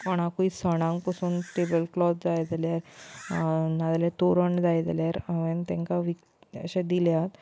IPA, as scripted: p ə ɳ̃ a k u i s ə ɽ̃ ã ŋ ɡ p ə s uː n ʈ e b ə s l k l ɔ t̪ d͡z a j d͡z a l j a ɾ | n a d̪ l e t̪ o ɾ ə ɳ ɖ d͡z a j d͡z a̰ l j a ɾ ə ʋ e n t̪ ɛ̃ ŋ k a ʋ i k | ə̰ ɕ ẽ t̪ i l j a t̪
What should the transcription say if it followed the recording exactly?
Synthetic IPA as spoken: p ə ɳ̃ a k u i s ə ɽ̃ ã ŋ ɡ p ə s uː n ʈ e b ə l k l ɔ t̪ d͡z a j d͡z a l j a ɾ | n a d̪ l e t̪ o ɾ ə ɳ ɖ d͡z a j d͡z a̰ l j a ɾ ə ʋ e n t̪ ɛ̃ ŋ k a ʋ i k | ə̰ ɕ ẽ d̪ i l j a t̪